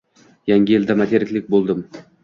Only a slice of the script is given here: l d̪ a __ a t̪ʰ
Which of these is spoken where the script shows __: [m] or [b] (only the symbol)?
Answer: m